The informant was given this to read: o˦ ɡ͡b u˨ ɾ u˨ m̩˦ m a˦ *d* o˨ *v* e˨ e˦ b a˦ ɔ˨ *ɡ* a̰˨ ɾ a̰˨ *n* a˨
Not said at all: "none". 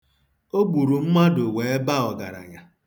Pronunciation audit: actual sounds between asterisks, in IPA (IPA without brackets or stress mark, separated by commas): d, w, ɡ, ɲ